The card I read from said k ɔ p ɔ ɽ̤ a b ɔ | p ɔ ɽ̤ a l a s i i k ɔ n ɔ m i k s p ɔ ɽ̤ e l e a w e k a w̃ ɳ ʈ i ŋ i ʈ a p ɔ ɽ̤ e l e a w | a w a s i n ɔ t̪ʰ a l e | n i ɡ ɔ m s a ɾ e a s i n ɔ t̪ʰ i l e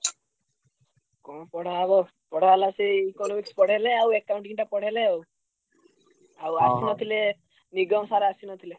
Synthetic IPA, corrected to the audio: k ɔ p ɔ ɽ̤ a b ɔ | p ɔ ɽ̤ a l a s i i k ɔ n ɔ m i k s p ɔ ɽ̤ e l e a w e k a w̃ ɳ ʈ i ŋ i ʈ a p ɔ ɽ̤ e l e a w | a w a s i n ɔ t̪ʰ i l e | n i ɡ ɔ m s a ɾ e a s i n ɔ t̪ʰ i l e